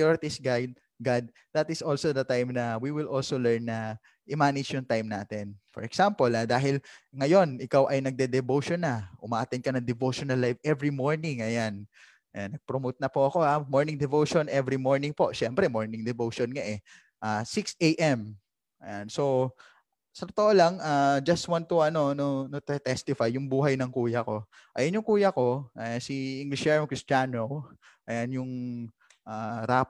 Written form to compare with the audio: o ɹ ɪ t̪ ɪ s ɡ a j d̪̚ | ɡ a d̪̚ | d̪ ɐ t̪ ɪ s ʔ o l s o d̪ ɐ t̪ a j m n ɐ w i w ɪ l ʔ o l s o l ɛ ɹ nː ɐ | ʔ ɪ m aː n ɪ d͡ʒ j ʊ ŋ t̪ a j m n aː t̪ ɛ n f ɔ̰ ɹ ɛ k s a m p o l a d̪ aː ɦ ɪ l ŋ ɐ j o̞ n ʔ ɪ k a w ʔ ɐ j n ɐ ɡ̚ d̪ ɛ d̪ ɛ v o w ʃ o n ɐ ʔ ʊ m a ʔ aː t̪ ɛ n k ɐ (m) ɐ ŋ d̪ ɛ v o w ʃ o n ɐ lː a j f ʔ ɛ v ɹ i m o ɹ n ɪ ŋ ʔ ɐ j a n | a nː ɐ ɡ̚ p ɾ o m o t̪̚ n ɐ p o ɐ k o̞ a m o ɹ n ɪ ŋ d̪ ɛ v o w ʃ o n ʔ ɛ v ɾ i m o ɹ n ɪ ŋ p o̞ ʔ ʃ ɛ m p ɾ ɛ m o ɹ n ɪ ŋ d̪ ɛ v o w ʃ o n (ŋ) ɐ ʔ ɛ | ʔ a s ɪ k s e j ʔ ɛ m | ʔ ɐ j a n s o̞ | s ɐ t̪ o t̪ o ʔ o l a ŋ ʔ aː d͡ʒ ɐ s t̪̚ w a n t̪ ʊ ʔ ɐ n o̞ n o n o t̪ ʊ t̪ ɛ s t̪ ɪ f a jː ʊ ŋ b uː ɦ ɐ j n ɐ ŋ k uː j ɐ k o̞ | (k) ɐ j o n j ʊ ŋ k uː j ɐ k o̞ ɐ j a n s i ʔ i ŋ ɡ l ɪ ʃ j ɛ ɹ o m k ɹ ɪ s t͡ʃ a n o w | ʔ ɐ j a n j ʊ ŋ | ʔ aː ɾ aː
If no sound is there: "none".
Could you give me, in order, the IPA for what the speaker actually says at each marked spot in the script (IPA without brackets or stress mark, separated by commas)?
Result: n, ŋ, ʔ